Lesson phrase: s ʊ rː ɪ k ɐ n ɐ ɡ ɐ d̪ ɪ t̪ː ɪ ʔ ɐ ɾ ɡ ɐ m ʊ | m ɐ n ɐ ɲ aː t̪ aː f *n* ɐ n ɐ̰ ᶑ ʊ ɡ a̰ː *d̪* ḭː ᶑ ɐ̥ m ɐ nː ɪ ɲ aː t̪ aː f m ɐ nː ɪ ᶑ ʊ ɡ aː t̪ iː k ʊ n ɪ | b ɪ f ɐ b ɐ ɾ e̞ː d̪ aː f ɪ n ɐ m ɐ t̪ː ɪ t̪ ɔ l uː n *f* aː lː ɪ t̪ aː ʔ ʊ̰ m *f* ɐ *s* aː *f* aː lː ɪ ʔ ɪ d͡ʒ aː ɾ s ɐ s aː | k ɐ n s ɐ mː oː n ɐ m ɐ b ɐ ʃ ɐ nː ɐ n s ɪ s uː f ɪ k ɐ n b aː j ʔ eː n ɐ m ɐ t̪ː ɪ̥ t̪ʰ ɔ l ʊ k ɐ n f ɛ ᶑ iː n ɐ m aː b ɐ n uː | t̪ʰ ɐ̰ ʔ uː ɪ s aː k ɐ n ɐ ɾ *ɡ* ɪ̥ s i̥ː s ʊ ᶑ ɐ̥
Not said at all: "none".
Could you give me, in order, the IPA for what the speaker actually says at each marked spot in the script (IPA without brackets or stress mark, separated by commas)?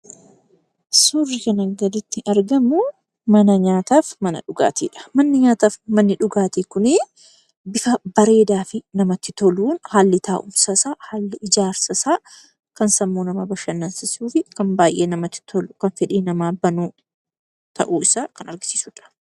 m, t̪, h, s, s, h, ɡ